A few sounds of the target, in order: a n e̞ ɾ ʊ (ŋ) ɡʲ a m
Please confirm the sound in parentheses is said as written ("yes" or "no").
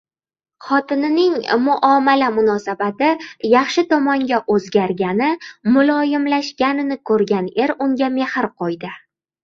yes